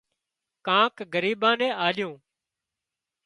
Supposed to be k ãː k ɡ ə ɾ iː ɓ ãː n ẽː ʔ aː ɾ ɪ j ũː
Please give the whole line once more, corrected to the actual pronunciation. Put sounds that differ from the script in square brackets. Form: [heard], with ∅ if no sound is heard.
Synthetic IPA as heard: k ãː k ɡ ə ɾ iː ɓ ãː n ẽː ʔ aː [l] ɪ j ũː

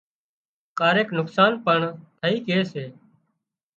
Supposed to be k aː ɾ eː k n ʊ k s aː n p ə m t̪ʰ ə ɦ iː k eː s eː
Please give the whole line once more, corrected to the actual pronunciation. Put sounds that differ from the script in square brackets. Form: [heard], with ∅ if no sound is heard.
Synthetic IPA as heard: k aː ɾ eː k n ʊ k s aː n p ə [ɳ] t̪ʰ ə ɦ iː k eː s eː

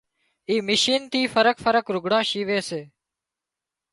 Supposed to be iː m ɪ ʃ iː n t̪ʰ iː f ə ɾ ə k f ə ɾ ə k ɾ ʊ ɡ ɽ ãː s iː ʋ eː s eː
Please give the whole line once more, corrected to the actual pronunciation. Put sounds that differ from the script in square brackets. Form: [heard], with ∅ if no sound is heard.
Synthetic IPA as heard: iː m ɪ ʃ iː n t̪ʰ iː f ə ɾ ə k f ə ɾ ə k ɾ ʊ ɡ ɽ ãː [ʃ] iː ʋ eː s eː

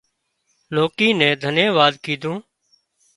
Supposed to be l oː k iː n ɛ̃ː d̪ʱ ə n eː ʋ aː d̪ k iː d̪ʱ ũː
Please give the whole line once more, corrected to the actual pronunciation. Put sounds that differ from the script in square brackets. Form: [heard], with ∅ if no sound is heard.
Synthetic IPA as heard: l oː k iː n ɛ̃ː d̪ʱ ə n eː ʋ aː d̪ k iː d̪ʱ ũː

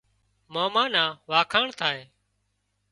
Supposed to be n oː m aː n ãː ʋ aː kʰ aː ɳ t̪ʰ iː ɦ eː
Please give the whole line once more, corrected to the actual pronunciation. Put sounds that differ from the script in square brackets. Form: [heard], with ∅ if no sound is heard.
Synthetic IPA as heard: [m] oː m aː n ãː ʋ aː kʰ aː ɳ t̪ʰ [aː] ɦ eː

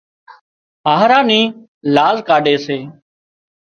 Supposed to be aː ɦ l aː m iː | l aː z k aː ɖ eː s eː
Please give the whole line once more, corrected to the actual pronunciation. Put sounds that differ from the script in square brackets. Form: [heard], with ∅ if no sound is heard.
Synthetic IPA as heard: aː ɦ [ɾ] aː [n] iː | l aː z k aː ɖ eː s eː

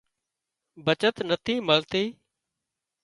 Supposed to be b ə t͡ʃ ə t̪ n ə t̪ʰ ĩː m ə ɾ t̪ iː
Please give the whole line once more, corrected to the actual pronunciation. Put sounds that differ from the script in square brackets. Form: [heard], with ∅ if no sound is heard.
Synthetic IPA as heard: b ə t͡ʃ ə t̪ n ə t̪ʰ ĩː m ə [l] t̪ iː

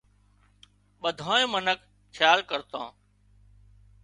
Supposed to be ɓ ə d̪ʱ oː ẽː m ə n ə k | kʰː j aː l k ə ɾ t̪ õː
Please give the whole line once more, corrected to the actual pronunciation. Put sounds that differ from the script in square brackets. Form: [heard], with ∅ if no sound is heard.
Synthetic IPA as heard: ɓ ə d̪ʱ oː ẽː m ə n ə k | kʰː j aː l k ə ɾ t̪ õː

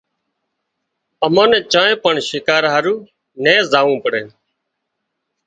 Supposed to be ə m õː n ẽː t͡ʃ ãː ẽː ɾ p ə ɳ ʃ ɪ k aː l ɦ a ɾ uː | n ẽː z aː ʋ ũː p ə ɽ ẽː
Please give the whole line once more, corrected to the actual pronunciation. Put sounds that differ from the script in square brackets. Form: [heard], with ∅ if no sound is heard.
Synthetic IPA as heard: ə m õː n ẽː t͡ʃ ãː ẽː [∅] p ə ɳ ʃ ɪ k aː [ɾ] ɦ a ɾ uː | n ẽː z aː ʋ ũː p ə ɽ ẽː

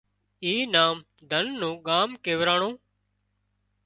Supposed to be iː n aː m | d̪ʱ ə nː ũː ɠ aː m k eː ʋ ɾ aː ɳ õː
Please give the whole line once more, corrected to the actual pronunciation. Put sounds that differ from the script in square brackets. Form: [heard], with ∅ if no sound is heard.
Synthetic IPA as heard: iː n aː m | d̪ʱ ə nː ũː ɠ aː m k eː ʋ ɾ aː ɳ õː

